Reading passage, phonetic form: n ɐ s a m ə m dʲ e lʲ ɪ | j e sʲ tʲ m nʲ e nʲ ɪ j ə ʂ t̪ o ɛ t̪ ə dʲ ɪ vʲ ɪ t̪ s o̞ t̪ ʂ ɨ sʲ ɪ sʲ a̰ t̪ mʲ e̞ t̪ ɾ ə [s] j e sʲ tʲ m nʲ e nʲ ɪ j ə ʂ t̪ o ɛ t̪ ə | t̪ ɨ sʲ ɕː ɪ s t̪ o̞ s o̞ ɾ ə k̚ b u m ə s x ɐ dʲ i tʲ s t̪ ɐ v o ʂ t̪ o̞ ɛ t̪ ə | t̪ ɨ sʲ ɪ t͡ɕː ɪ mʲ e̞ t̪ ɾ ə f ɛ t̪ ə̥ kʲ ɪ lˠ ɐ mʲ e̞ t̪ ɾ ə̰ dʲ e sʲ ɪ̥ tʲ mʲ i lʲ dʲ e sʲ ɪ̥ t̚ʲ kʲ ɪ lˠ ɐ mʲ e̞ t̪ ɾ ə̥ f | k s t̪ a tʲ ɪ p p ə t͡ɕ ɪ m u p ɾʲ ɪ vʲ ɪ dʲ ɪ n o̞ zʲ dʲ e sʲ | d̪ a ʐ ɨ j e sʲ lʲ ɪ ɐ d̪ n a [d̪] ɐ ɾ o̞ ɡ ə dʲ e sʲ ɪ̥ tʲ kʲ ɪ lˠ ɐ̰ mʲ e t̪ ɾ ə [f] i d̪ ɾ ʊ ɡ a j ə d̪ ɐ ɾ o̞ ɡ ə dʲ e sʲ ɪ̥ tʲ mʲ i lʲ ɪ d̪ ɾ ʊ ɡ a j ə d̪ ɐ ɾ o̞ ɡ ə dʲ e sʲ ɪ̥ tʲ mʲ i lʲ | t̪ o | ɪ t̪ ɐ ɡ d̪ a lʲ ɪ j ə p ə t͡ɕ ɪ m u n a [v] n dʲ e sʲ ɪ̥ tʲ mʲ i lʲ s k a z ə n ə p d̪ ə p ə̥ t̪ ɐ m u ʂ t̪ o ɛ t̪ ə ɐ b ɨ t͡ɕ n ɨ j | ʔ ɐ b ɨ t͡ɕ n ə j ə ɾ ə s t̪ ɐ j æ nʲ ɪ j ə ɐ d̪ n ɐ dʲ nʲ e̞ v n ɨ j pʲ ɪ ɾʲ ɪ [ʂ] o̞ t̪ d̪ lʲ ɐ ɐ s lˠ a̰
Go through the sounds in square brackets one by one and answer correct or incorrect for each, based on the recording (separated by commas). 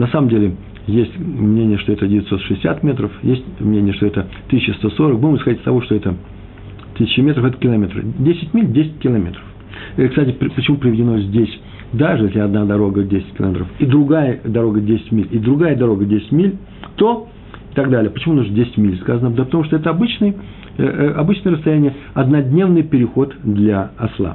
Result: incorrect, correct, correct, incorrect, incorrect